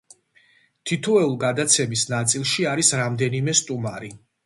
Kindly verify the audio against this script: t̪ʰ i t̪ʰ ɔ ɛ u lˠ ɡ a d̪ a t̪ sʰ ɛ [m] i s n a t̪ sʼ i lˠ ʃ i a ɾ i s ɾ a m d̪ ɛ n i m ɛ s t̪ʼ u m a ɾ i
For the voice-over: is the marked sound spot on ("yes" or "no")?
yes